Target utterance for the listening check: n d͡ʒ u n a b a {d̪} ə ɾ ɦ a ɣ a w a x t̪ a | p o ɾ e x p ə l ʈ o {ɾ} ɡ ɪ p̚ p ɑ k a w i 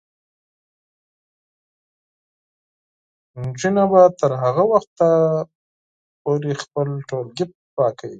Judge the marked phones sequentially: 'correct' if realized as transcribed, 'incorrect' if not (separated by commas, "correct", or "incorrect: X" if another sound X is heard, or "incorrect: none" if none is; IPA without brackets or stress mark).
incorrect: t̪, incorrect: l